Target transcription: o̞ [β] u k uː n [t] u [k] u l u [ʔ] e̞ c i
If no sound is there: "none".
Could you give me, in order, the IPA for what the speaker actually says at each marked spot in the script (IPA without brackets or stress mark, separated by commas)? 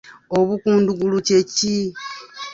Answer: β, d, ɡ, c